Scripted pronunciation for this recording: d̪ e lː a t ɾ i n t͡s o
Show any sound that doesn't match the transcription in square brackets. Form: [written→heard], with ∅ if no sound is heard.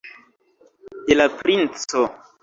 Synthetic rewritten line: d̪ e [lː→l] a [t→p] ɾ i n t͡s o